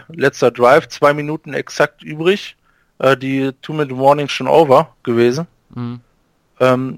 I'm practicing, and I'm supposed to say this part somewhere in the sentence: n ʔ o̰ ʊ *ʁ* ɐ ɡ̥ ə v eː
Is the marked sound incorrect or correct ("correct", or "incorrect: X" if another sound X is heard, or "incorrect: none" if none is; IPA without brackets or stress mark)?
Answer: incorrect: v